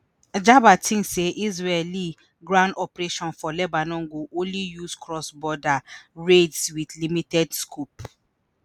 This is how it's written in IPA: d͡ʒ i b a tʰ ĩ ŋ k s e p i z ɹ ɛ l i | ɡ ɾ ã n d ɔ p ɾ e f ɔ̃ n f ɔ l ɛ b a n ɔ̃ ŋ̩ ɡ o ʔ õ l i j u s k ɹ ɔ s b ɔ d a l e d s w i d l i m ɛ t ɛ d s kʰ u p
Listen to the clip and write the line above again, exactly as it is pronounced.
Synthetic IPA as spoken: d͡ʒ a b a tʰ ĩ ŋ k s e ʔ i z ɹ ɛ l i | ɡ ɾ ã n d ɔ p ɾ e ʃ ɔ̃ n f ɔ l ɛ b a n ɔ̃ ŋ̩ ɡ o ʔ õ l i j u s k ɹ ɔ s b ɔ d a ɹ e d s w i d l i m i t ɛ d s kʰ u p